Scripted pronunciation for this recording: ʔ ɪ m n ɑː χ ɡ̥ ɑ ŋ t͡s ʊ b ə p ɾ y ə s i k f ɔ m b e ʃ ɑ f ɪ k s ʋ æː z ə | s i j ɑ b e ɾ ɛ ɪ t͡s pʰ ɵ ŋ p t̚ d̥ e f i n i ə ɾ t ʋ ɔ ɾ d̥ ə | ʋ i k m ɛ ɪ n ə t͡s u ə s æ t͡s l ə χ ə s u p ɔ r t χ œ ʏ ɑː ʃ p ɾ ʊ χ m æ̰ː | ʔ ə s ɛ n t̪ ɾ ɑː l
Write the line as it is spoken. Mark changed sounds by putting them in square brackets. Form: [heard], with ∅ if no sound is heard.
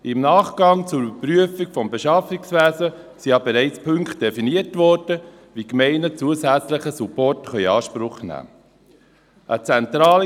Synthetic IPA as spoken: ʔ ɪ m n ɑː χ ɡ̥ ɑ ŋ t͡s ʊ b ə p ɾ y ə [f] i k f ɔ m b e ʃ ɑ f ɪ k s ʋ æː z ə | s i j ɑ b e ɾ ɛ ɪ t͡s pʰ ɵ ŋ [k] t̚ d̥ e f i n i ə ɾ t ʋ ɔ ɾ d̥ ə | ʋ i k m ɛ ɪ n ə t͡s u ə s æ t͡s l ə χ ə s u p ɔ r t χ œ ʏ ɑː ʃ p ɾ ʊ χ [n] æ̰ː | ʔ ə [t͡s] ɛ n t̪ ɾ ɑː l